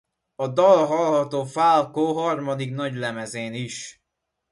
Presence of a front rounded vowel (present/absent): absent